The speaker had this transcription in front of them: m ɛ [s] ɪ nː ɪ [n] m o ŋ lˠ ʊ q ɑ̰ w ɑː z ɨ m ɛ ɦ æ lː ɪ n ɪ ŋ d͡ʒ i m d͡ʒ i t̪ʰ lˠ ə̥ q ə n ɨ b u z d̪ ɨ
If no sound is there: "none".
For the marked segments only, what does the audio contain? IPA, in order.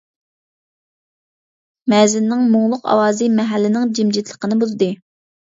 z, ŋ

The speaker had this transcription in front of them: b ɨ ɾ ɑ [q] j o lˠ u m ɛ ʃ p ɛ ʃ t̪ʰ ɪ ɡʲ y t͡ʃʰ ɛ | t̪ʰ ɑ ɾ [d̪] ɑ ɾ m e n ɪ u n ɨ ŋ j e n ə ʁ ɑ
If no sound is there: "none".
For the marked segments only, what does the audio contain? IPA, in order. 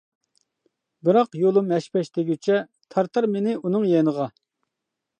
q, t̪

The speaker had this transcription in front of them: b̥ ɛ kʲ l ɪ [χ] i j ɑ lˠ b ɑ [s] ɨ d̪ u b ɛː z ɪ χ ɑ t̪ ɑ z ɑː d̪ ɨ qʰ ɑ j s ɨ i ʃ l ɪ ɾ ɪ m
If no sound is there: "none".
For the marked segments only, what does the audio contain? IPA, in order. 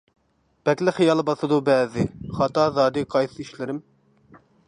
χ, s

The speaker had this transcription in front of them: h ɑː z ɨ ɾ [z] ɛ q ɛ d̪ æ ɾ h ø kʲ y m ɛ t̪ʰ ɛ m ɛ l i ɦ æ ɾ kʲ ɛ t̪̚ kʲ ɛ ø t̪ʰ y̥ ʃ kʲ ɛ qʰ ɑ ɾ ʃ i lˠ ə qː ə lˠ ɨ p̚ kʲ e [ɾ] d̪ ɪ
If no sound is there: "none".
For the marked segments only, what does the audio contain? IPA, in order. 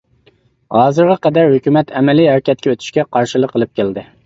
ʁ, l

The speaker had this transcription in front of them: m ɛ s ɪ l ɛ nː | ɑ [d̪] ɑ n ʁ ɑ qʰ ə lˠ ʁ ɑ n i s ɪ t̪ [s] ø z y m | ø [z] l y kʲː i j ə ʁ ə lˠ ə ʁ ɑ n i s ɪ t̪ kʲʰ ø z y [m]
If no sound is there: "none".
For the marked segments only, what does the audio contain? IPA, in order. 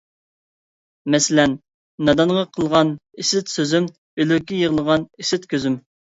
d̪, s, none, m

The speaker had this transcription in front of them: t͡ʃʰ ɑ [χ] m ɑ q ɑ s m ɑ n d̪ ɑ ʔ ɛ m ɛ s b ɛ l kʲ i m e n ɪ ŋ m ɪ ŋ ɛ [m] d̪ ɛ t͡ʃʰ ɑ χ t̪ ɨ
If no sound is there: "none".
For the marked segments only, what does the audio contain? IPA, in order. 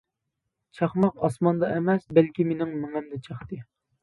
χ, m

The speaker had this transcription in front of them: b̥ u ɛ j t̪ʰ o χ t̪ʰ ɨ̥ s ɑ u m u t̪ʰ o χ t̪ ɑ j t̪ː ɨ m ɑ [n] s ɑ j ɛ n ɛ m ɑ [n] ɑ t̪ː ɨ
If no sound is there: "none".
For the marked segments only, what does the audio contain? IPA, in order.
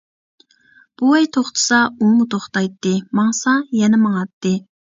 ŋ, ŋ

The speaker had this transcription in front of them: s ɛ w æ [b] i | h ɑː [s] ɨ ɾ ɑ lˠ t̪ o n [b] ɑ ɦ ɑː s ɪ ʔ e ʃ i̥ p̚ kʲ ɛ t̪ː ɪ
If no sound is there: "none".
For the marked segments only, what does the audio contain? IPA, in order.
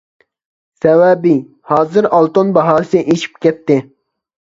b, z, b

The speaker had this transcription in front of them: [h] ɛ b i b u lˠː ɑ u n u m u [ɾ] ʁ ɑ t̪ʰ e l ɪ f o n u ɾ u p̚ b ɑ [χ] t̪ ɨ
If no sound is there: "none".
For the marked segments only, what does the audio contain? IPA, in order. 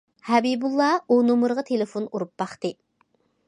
h, ɾ, χ

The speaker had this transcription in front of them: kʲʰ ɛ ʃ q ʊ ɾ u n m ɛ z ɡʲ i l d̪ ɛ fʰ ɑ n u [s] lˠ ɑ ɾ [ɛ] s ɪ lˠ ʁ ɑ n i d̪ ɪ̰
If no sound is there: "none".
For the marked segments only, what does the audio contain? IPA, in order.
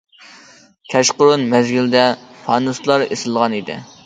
s, e

